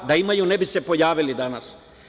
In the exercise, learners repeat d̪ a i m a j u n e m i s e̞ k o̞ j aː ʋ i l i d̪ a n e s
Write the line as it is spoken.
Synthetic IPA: d̪ a i m a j u n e b i s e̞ p o̞ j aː ʋ i l i d̪ a n a s